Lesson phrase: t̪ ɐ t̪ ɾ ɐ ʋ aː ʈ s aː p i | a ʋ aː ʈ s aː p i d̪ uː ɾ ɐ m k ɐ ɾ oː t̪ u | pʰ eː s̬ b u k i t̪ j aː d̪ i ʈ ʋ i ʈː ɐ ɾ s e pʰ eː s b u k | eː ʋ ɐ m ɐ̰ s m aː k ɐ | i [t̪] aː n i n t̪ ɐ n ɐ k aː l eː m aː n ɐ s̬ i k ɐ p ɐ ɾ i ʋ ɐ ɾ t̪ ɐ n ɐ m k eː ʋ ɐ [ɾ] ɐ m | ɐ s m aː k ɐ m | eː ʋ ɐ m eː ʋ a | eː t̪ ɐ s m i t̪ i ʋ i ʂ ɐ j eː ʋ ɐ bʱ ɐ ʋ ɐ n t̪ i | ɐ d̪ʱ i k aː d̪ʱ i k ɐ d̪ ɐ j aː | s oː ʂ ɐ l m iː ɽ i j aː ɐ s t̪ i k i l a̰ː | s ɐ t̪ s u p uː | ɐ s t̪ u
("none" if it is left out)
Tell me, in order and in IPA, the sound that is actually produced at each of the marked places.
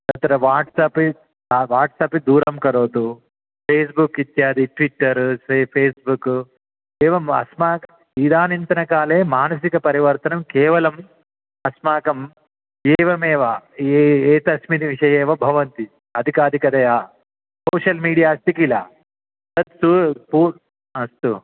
d̪, l

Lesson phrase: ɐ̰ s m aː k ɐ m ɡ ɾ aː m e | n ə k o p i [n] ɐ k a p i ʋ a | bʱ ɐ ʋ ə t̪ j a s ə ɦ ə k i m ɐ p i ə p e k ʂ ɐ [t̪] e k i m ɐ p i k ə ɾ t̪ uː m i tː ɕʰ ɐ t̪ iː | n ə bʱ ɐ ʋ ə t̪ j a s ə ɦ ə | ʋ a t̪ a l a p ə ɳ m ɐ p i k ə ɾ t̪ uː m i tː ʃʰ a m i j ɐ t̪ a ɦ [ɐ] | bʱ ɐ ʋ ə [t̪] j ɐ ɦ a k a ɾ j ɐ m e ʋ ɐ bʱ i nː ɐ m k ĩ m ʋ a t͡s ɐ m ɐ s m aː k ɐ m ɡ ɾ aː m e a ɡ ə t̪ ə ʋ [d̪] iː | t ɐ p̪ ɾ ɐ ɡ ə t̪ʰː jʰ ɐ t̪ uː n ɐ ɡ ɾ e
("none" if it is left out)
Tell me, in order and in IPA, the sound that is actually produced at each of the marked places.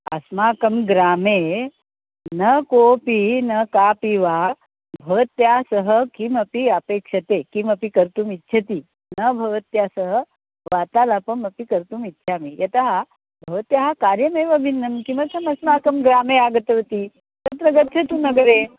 n, t̪, a, t̪, t̪

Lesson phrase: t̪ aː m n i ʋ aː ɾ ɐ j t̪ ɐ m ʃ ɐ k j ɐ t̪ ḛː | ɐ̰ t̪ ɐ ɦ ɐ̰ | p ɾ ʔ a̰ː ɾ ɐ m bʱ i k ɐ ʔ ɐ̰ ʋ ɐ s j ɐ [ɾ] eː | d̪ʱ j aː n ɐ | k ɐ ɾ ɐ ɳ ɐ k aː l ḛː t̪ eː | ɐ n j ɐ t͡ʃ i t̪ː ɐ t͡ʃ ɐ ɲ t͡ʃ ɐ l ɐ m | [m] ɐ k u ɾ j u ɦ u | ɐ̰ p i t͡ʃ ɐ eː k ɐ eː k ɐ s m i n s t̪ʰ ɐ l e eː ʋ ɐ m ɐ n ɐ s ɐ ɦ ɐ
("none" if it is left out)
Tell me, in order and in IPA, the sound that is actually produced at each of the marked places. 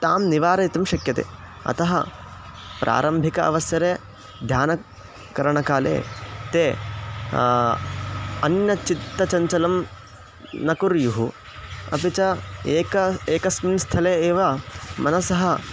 ɾ, n

